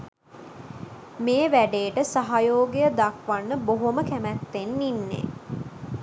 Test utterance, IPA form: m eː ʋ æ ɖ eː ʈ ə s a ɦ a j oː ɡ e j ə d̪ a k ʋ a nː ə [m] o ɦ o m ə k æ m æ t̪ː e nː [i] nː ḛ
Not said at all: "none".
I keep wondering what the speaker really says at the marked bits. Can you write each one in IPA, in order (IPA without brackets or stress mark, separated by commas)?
b, i